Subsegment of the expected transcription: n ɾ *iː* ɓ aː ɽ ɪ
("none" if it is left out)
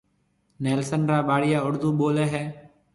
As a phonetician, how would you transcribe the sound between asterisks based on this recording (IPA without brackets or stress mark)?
aː